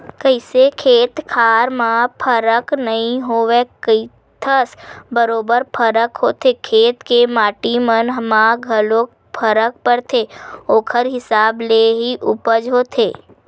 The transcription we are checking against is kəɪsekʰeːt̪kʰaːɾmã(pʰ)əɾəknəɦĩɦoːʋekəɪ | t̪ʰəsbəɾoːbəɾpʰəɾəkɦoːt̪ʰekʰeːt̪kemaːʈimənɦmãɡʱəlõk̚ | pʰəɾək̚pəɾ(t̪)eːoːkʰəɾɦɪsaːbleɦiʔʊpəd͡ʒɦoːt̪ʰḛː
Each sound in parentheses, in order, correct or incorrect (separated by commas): correct, incorrect